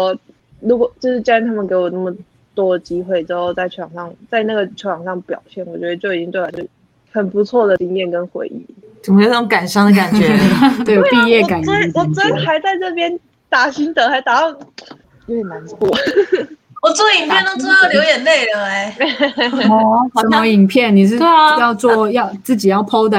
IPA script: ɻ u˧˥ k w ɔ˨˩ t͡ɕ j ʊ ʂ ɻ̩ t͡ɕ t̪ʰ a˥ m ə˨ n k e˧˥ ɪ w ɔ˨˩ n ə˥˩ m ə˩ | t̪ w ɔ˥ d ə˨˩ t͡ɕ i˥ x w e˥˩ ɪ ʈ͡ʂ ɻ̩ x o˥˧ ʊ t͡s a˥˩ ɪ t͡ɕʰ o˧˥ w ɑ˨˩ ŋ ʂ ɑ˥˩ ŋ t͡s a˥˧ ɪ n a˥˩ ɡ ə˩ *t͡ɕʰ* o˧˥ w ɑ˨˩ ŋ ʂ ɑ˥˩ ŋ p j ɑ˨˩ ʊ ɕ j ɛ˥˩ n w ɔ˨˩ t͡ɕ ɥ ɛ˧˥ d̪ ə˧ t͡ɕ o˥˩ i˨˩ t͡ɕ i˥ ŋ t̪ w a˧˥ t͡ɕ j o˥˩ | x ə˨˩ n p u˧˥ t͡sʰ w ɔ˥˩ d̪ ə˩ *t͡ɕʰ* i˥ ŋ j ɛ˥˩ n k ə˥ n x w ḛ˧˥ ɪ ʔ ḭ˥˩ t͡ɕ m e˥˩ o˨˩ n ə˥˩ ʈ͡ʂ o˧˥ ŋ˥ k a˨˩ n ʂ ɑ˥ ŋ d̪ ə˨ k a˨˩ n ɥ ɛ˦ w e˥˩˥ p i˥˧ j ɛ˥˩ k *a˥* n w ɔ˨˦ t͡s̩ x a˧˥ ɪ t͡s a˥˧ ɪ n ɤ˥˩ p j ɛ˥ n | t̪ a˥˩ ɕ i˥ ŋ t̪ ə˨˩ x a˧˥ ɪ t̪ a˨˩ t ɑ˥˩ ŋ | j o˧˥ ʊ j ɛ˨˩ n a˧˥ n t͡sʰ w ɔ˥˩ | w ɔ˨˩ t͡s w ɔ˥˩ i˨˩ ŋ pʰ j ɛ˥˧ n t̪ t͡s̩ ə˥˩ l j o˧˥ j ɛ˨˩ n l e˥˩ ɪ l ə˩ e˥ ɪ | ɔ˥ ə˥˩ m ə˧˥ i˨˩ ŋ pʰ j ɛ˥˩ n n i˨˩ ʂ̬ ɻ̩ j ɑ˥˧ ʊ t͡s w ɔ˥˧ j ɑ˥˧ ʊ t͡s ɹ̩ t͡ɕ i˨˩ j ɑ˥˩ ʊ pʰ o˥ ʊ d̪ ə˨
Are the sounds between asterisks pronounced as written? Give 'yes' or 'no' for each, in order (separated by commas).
yes, no, no